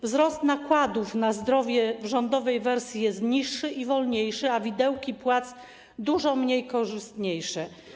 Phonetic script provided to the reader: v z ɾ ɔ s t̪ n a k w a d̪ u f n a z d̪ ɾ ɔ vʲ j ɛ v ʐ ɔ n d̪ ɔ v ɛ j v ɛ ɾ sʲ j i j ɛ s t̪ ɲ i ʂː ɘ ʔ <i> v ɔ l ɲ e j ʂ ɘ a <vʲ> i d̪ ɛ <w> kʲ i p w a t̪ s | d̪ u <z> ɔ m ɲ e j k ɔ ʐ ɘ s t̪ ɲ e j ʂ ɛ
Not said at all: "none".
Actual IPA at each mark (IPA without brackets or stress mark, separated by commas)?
i, vʲ, w, ʐ